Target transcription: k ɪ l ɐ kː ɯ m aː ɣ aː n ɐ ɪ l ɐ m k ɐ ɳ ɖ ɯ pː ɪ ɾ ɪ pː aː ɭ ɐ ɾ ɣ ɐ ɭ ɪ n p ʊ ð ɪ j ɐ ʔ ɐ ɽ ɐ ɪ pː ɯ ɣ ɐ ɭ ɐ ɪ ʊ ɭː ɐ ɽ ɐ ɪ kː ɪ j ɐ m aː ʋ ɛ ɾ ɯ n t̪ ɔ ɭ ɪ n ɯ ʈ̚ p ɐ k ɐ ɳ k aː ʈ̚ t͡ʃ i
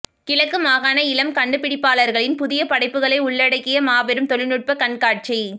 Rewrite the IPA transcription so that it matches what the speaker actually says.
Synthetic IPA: k ɪ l ɐ kː ɯ m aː ɣ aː n ɐ ɪ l ɐ m k ɐ ɳ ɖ ɯ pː ɪ ɽ ɪ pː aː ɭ ɐ ɾ ɣ ɐ ɭ ɪ n p ʊ ð ɪ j ɐ p ɐ ɽ ɐ ɪ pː ɯ ɣ ɐ ɭ ɐ ɪ ʊ ɭː ɐ ɽ ɐ ɪ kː ɪ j ɐ m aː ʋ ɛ ɾ ɯ m t̪ ɔ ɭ ɪ n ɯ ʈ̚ p ɐ k ɐ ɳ k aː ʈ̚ t͡ʃ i